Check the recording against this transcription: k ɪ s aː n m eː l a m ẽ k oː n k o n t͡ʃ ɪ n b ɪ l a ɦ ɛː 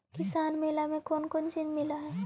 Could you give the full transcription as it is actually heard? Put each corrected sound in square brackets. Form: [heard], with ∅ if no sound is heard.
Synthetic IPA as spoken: k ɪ s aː n m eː l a m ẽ k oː n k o n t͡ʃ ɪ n [m] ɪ l a ɦ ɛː